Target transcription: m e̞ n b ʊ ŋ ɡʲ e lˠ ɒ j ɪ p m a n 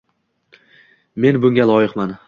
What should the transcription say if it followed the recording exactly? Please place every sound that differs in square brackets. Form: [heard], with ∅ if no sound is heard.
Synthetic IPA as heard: m e̞ n b ʊ ŋ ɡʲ [a] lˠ ɒ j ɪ [q] m a n